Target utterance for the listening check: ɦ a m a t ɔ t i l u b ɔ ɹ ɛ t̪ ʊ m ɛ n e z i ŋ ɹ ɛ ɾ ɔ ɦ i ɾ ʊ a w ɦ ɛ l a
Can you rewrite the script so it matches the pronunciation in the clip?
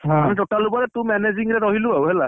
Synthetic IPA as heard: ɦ a m i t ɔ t a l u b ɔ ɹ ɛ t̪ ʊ m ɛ n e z i ŋ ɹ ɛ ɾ ɔ ɦ i l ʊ a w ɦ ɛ l a